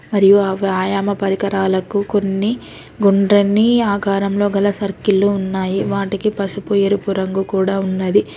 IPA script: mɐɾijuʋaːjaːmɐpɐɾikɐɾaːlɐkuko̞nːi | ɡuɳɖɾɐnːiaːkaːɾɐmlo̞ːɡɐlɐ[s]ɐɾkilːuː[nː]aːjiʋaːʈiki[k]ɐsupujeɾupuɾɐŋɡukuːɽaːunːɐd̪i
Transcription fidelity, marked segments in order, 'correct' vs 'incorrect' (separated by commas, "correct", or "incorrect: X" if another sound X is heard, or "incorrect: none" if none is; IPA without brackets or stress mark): correct, correct, incorrect: p